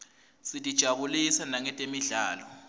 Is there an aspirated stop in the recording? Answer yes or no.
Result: no